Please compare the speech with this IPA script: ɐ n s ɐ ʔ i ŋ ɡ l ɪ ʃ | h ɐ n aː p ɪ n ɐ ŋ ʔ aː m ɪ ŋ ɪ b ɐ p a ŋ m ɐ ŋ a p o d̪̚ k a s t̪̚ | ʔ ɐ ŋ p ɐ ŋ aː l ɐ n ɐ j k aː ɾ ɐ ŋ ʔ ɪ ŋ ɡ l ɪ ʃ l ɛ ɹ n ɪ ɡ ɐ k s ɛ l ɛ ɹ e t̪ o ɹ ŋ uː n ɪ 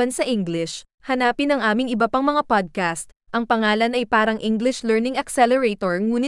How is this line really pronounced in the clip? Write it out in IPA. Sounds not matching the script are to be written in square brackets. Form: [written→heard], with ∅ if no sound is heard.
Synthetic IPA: ɐ n s ɐ ʔ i ŋ ɡ l ɪ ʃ | h ɐ n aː p ɪ n ɐ ŋ ʔ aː m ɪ ŋ ɪ b ɐ p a ŋ m ɐ ŋ a p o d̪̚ k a s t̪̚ | ʔ ɐ ŋ p ɐ ŋ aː l ɐ n ɐ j [k→p] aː ɾ ɐ ŋ ʔ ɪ ŋ ɡ l ɪ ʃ l ɛ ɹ n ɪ [ɡ→ŋ] ɐ k s ɛ l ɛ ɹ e t̪ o ɹ ŋ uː n ɪ